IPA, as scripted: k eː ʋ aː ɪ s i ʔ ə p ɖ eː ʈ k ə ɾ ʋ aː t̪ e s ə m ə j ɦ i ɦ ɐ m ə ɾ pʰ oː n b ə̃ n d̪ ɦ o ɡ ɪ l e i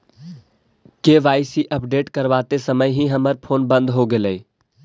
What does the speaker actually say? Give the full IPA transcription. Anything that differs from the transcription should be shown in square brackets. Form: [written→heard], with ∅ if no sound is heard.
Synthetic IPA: k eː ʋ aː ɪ s i ʔ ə p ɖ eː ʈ k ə ɾ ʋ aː t̪ e s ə m ə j ɦ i ɦ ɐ m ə ɾ pʰ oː n b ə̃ n d̪ ɦ o ɡ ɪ l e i